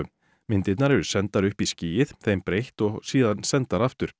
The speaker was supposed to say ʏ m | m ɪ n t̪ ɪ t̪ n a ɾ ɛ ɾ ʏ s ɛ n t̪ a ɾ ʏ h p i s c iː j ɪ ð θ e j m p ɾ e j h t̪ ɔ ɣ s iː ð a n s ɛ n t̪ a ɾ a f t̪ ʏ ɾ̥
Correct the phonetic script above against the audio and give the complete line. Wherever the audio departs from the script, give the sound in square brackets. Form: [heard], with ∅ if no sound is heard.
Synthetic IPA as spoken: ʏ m | m ɪ n t̪ ɪ t̪ n a ɾ ɛ ɾ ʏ s ɛ n t̪ a ɾ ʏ h p i s c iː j ɪ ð θ e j m p ɾ e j h t̪ ɔ ɣ s iː ð a n s ɛ n t̪ a ɾ a f t̪ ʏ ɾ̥